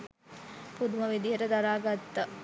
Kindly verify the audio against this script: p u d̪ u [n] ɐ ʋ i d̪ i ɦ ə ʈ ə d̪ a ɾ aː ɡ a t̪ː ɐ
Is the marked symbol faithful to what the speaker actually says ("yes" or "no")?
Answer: no